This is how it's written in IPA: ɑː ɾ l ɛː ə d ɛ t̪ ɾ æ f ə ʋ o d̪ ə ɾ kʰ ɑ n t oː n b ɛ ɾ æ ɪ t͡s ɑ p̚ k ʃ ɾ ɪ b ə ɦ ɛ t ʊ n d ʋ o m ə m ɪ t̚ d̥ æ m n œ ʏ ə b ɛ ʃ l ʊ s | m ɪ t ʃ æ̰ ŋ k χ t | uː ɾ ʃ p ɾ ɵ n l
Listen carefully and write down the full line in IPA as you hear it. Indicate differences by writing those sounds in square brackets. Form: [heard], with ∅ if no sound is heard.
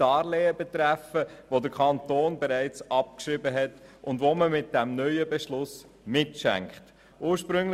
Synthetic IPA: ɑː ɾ l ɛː ə [b] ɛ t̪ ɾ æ f ə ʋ o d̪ ə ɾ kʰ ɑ n t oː n b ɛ ɾ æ ɪ t͡s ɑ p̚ k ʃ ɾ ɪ b ə ɦ ɛ t ʊ n d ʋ o m ə m ɪ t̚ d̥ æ m n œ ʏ ə b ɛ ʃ l ʊ s | m ɪ t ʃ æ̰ ŋ k χ t | uː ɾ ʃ p ɾ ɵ [ŋ] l

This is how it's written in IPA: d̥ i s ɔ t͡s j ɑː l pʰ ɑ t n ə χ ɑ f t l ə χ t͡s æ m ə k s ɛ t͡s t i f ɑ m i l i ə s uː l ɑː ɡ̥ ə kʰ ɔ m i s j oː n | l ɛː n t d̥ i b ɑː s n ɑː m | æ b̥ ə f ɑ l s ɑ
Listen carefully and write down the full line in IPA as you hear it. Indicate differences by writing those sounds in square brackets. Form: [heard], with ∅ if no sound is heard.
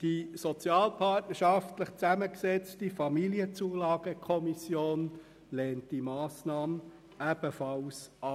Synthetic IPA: d̥ i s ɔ t͡s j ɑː l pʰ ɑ t n ə [ʃ] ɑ f t l ə χ t͡s æ m ə k s ɛ t͡s t i f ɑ m i l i ə [t͡s] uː l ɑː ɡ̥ ə kʰ ɔ m i s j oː n | l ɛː n t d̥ i [m] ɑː s n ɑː m | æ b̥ ə f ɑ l s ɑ

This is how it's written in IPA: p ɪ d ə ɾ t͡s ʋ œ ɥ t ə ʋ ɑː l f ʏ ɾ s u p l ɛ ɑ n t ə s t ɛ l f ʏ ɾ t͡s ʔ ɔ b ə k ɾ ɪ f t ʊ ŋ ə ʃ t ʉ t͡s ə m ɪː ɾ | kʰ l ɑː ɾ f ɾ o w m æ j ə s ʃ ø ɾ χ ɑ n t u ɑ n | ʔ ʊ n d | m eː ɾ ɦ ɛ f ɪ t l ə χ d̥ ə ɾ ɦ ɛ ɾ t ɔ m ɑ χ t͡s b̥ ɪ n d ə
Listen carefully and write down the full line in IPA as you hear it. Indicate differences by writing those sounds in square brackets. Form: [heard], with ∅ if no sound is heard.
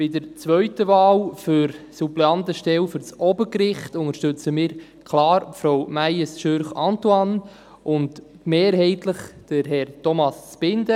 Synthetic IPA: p ɪ d ə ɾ t͡s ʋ œ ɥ t ə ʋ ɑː l f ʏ ɾ s u p l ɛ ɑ n t ə [ʃ] t ɛ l f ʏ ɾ t͡s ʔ ɔ b ə k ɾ ɪ [χ] t ʊ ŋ ə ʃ t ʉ t͡s ə m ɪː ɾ | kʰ l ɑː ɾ f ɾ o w m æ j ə s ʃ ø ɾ χ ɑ n t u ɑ n | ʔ ʊ n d | m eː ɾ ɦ ɛ [∅] ɪ t l ə χ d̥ ə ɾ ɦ ɛ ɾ t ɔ m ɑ [s] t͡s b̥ ɪ n d ə

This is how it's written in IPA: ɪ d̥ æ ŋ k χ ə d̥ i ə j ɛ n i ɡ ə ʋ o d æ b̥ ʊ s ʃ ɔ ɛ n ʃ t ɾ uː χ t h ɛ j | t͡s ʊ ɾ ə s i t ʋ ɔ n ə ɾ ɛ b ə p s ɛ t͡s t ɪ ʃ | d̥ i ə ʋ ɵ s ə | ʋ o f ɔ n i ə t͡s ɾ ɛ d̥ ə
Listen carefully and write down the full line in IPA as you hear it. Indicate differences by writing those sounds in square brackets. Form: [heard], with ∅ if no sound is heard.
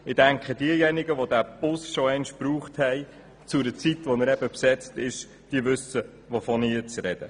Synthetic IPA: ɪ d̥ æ ŋ k χ ə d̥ i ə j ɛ n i ɡ ə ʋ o d æ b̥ ʊ s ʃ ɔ ɛ n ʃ [p] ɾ uː χ t h ɛ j | t͡s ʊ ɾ ə [t͡s] i t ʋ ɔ n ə ɾ ɛ b ə p s ɛ t͡s t ɪ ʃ | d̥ i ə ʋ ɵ s ə | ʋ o f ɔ n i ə t͡s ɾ ɛ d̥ ə

